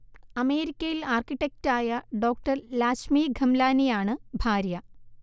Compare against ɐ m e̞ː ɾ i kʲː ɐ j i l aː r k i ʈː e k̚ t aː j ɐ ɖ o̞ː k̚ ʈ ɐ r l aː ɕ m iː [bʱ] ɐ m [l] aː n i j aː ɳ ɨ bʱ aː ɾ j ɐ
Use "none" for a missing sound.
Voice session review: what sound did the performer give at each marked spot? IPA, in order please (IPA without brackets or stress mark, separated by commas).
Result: ɡʱ, l